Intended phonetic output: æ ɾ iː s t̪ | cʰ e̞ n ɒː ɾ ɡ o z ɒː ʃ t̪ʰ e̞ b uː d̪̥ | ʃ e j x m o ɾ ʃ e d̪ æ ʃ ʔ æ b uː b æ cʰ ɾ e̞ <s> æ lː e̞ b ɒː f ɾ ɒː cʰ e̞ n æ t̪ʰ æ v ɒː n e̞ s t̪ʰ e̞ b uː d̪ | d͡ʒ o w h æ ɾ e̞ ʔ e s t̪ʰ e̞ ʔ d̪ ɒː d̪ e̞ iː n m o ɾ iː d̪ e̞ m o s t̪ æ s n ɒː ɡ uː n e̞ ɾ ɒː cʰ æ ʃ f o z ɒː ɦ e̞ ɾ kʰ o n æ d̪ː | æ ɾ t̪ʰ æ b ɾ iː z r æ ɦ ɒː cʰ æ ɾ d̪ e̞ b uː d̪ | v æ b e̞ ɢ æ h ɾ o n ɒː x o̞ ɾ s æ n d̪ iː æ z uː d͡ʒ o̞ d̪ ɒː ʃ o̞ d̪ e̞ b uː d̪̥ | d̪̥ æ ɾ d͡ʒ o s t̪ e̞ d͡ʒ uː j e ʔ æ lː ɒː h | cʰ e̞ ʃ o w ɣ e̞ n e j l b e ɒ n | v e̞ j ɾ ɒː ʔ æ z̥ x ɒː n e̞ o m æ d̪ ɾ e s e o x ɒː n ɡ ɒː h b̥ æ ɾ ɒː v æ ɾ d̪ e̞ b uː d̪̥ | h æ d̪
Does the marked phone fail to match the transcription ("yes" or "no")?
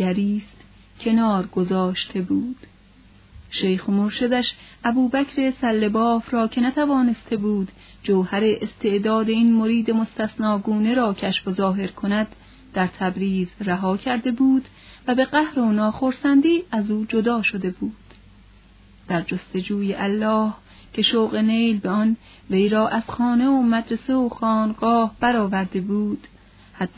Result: no